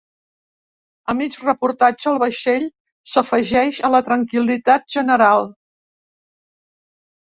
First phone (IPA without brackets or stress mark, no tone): ə